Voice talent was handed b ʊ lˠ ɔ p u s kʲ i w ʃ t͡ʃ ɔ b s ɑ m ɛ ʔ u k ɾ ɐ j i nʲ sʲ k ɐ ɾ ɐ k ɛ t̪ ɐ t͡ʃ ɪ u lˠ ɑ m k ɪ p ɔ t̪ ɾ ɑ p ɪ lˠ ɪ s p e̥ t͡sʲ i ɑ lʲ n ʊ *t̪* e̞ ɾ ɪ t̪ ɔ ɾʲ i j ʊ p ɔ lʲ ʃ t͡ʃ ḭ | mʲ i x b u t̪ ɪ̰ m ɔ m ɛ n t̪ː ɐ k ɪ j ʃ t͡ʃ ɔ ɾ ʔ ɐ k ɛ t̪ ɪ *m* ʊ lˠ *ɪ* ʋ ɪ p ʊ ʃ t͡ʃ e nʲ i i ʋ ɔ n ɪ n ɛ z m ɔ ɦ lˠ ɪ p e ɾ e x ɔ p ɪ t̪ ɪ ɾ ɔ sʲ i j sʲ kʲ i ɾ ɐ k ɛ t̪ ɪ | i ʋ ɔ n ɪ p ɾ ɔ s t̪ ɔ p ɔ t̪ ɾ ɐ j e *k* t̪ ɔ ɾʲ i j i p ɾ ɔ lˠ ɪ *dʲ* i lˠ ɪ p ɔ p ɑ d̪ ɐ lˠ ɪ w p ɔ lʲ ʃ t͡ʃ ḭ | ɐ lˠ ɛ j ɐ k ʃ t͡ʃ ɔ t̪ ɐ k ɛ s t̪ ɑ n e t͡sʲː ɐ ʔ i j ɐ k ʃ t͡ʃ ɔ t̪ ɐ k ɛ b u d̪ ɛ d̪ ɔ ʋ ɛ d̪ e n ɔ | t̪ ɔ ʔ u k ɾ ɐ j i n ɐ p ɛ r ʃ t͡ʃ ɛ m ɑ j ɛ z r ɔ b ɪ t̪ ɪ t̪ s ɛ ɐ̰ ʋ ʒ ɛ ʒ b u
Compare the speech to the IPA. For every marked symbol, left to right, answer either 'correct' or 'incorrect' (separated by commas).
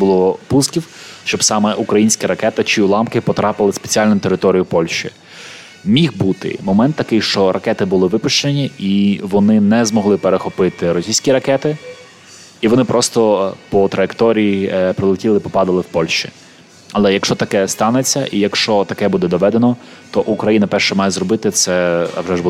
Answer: correct, incorrect, correct, correct, incorrect